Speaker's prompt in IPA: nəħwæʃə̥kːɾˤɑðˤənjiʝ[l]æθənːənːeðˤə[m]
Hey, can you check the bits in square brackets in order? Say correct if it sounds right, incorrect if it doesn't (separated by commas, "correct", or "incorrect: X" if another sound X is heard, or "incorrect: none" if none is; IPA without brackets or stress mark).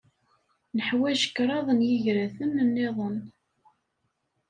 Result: incorrect: ɾ, incorrect: n